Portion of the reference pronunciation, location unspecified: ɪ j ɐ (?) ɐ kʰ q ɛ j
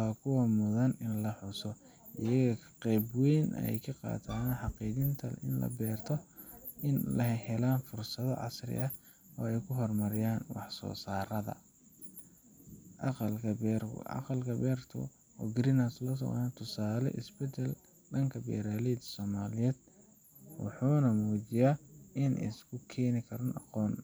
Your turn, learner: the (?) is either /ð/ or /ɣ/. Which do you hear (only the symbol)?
ɣ